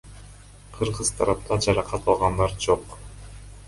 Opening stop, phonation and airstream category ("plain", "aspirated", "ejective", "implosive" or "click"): aspirated